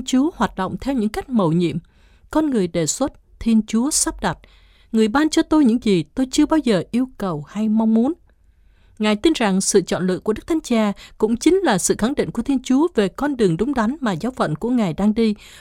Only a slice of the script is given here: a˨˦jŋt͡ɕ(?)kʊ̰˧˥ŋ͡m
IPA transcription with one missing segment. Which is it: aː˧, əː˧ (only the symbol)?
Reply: aː˧